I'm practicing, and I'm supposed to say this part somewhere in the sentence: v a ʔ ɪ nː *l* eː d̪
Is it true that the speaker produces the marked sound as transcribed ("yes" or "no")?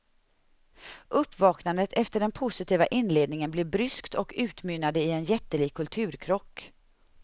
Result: yes